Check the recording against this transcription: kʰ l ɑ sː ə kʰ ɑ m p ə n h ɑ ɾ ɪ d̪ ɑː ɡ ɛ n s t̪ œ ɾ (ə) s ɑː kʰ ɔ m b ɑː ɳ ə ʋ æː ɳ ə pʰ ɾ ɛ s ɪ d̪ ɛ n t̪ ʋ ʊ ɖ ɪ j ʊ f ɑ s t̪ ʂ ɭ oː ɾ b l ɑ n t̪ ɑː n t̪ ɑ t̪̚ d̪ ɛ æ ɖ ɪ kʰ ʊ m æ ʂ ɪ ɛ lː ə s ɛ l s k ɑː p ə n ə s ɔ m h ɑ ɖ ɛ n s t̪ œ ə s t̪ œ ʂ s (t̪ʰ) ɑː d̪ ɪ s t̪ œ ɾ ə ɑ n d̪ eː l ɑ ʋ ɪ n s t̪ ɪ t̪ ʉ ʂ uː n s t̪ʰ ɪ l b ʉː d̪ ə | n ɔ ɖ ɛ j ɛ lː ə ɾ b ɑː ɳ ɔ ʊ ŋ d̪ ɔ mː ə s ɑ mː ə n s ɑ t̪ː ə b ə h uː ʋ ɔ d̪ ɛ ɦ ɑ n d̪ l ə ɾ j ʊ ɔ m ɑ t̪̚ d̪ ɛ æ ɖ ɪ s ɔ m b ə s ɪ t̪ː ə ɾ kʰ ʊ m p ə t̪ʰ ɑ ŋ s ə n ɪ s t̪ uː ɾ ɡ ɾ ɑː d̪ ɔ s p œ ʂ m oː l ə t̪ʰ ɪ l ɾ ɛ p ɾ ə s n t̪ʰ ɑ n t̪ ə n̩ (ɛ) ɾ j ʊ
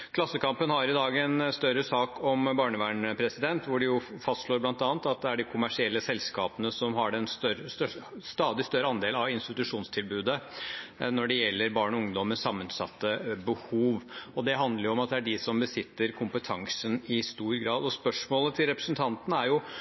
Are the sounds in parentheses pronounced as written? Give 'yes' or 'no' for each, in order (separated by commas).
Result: yes, no, no